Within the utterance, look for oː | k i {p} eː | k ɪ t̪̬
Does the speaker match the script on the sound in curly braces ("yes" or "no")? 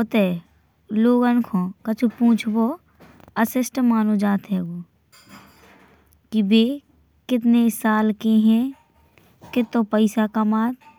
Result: no